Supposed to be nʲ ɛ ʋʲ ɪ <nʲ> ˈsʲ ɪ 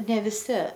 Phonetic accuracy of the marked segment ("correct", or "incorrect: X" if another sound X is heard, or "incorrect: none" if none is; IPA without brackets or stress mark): incorrect: none